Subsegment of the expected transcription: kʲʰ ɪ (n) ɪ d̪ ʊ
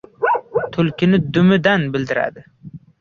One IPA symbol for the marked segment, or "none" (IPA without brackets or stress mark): n